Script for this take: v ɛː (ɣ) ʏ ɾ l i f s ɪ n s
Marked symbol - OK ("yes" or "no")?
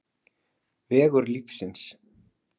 yes